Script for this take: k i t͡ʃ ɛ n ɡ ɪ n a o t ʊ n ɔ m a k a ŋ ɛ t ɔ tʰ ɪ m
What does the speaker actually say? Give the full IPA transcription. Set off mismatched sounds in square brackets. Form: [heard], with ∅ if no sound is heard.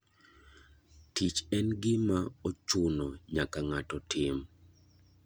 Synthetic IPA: [t] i t͡ʃ ɛ n ɡ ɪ [m] a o [t͡ʃ] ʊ n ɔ [ɲ] a k a ŋ [a] t ɔ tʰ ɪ m